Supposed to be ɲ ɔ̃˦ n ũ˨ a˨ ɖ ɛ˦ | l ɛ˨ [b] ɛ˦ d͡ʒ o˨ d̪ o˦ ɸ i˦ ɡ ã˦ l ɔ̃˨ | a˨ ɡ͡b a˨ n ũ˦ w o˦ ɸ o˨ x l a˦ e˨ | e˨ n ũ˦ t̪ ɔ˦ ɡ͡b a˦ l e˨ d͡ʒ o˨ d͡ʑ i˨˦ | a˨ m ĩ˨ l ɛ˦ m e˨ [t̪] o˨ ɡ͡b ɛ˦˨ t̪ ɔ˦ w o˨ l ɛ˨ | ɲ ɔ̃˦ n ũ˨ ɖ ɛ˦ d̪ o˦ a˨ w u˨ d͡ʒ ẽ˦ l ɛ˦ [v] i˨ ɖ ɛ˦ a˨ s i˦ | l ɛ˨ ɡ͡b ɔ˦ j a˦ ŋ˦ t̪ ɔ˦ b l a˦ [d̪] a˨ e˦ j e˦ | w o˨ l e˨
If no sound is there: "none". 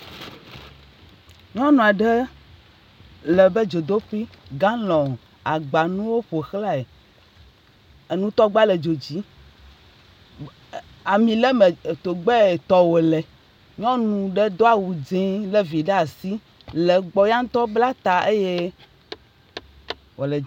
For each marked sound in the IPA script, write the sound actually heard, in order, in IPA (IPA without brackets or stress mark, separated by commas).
b, t̪, v, t̪